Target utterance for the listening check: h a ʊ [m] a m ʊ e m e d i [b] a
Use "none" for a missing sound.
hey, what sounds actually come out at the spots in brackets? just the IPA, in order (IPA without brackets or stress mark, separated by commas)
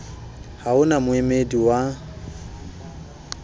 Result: n, w